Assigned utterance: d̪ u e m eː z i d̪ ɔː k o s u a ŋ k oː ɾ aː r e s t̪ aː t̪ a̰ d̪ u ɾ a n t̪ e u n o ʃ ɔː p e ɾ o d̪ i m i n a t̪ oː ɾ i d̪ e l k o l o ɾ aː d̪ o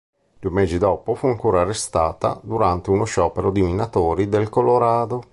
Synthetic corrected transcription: d̪ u e m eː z i d̪ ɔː p o f u a ŋ k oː ɾ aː r e s t̪ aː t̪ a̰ d̪ u ɾ a n t̪ e u n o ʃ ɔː p e ɾ o d̪ i m i n a t̪ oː ɾ i d̪ e l k o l o ɾ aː d̪ o